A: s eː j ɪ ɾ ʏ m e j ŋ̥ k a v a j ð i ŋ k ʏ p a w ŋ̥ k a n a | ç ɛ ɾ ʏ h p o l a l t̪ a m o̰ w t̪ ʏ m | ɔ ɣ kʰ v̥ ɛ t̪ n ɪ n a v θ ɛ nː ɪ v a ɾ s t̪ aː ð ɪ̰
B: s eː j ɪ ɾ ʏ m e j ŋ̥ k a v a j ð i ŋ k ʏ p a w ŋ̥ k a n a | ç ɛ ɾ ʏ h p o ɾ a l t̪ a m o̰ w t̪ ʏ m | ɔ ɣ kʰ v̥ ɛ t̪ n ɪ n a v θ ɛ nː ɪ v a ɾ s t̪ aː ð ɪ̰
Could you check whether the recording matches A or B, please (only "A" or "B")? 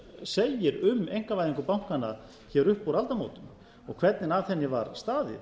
B